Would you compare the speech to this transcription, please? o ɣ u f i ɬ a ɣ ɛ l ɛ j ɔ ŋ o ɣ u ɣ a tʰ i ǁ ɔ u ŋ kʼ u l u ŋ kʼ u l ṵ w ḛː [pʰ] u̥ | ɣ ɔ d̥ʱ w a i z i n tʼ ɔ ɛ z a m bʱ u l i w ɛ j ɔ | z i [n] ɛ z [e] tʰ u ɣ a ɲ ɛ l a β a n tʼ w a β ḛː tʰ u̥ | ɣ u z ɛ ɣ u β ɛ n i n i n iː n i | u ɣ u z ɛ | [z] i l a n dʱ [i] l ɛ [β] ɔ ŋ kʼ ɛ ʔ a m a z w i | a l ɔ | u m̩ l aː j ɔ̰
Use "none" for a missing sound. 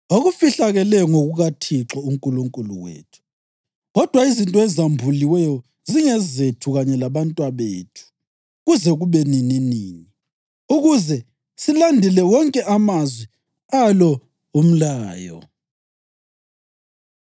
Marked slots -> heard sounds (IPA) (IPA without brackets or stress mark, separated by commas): tʰ, ŋ, e, s, i, w